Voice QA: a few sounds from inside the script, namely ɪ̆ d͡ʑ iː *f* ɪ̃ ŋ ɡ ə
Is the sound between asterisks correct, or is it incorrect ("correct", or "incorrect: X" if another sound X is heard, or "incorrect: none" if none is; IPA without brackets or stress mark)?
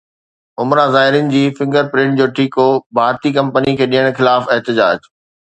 correct